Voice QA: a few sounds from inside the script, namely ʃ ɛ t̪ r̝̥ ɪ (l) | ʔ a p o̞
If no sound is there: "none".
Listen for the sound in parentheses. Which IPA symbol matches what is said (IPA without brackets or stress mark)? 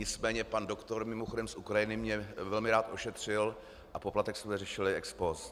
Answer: l